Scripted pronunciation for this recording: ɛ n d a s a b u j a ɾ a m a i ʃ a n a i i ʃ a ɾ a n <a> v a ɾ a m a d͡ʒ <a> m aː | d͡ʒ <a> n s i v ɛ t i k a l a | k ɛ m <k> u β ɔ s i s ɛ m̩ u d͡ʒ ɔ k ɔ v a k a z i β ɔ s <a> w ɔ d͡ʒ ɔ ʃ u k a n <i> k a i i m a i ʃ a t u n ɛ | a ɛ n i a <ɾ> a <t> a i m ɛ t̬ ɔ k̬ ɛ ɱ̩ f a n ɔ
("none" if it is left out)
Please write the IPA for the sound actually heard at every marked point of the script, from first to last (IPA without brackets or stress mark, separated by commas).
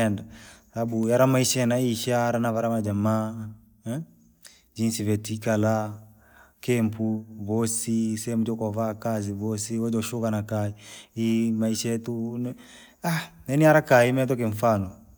a, a, i, p, i, a, ɾ, k